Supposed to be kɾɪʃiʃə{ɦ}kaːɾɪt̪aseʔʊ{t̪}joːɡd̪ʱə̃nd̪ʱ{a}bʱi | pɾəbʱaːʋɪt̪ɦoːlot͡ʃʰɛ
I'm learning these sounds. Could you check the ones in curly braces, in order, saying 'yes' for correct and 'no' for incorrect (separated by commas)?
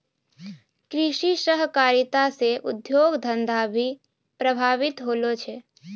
yes, no, yes